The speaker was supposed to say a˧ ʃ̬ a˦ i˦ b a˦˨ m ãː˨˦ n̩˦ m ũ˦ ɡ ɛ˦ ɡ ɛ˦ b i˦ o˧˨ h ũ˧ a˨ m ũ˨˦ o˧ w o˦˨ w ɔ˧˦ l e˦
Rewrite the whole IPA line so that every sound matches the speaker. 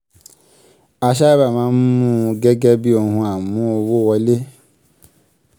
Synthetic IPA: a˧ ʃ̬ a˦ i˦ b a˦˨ m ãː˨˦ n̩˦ m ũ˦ ɡ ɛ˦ ɡ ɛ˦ b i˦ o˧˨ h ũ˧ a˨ m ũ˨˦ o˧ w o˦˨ w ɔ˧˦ l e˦